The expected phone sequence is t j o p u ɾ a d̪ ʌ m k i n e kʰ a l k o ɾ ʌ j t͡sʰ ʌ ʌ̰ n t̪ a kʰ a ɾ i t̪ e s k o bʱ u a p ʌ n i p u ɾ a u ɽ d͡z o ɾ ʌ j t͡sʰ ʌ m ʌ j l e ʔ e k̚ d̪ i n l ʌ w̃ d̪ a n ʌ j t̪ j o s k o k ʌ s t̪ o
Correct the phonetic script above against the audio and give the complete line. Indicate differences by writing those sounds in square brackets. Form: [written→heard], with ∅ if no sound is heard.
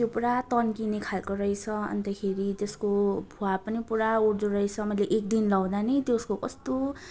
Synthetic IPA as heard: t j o p u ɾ a [d̪→t̪] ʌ [m→n] k i n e kʰ a l k o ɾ ʌ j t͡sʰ ʌ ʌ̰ n t̪ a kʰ [a→e] ɾ i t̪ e s k o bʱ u a p ʌ n i p u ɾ a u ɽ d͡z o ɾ ʌ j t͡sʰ ʌ m ʌ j l e ʔ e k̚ d̪ i n l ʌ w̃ d̪ a n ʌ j t̪ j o s k o k ʌ s t̪ o